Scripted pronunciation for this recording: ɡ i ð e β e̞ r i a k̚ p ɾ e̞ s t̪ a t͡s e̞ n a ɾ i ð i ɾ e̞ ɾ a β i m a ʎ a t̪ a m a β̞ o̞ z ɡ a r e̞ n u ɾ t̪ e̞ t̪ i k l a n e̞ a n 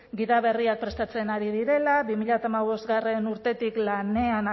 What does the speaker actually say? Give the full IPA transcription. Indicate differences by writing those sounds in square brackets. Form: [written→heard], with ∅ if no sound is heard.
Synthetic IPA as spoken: ɡ i ð [e→a] β e̞ r i a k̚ p ɾ e̞ s t̪ a t͡s e̞ n a ɾ i ð i ɾ e̞ [ɾ→l] a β i m [a→i] ʎ a t̪ a m a β̞ o̞ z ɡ a r e̞ n u ɾ t̪ e̞ t̪ i k l a n e̞ a n